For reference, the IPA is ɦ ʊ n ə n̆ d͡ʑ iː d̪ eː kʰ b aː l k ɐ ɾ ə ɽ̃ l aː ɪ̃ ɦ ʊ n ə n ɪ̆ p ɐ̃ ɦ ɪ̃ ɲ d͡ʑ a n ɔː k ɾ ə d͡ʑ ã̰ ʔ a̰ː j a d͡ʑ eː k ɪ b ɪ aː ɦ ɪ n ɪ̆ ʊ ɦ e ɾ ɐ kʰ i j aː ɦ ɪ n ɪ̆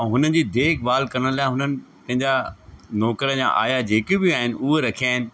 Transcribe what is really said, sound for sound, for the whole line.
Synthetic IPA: ɦ ʊ n ə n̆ d͡ʑ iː d̪ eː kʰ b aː l k ɐ ɾ ə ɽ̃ l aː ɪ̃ ɦ ʊ n ə n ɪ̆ p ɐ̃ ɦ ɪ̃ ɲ d͡ʑ a n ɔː k ɾ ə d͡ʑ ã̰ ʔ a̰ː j a d͡ʑ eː k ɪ b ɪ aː ɦ ɪ n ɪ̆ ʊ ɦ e ɾ ɐ kʰ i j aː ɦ ɪ n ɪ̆